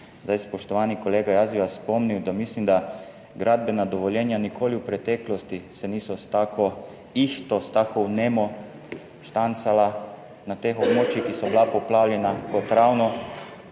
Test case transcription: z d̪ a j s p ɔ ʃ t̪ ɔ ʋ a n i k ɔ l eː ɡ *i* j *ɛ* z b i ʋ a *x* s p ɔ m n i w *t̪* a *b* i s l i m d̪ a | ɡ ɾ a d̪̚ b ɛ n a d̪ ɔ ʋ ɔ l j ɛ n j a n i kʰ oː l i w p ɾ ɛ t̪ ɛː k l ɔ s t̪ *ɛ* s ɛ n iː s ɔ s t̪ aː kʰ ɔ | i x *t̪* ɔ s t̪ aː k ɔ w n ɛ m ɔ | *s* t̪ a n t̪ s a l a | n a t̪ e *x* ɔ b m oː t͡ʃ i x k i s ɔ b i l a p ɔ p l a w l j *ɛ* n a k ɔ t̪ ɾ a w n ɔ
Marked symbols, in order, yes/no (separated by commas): no, no, no, no, no, no, yes, no, yes, yes